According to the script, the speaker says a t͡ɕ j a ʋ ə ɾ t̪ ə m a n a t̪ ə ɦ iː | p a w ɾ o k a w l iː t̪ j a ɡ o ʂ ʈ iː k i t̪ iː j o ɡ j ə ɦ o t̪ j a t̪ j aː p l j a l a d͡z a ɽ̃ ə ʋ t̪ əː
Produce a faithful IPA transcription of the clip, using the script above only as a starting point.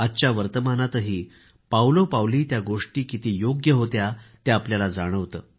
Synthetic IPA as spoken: a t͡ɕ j a ʋ ə ɾ t̪ ə m a n a t̪ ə ɦ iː | p a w l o p a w l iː t̪ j a ɡ o ʂ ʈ iː k i t̪ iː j o ɡ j ə ɦ o t̪ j a t̪ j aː p l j a l a d͡z a ɽ̃ ə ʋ t̪ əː